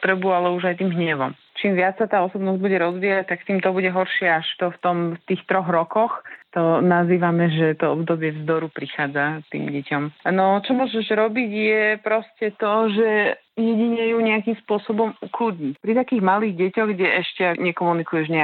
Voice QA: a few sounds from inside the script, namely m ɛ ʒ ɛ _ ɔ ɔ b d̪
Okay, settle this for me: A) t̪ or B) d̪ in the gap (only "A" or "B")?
A